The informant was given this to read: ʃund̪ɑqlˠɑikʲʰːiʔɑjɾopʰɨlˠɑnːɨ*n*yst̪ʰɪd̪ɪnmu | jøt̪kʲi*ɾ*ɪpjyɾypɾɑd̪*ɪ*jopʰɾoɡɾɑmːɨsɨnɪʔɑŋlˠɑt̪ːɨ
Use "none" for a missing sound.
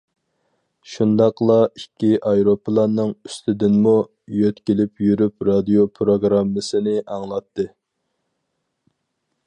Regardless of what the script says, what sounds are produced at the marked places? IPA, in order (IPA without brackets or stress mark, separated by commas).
ŋ, l, i